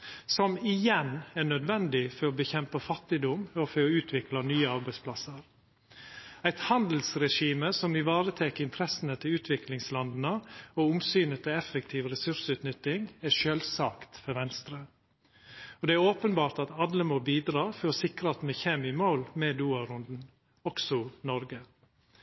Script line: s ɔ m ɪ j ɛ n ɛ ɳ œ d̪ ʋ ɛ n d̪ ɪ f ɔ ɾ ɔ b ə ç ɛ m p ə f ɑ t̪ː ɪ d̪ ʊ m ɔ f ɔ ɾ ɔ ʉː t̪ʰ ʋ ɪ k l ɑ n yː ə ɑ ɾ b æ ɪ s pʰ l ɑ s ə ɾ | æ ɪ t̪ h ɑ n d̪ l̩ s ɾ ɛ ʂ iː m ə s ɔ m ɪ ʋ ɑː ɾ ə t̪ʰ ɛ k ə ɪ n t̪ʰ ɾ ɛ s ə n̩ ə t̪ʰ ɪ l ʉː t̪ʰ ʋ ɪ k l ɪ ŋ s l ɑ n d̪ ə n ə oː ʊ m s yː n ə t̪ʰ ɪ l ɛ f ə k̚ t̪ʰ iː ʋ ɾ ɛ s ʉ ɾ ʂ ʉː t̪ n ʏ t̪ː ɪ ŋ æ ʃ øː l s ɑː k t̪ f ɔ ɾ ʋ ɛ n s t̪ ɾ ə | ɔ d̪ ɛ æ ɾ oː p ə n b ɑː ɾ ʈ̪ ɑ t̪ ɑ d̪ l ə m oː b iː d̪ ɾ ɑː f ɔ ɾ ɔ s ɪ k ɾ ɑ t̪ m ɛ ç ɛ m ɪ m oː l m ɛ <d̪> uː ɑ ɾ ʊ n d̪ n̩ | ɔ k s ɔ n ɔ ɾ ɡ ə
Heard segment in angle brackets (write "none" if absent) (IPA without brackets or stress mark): d̪